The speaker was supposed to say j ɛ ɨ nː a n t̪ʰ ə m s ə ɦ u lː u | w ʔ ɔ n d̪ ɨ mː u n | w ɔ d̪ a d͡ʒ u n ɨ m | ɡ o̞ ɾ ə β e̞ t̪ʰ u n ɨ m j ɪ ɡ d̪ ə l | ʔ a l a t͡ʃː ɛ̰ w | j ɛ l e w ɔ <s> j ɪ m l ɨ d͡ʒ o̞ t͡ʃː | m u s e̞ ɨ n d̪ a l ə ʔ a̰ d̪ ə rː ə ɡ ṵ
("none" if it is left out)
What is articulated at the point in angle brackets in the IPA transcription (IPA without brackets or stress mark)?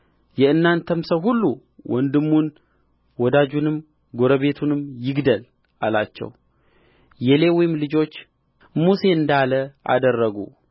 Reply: none